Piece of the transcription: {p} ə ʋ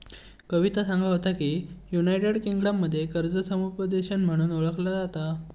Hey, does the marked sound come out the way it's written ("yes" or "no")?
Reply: no